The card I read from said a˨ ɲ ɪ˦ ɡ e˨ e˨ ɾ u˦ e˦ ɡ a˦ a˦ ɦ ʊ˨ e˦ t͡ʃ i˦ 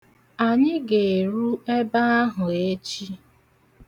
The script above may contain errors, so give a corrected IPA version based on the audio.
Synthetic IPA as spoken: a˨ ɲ ɪ˦ ɡ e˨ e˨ ɾ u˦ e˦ b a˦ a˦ ɦ ʊ˨ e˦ t͡ʃ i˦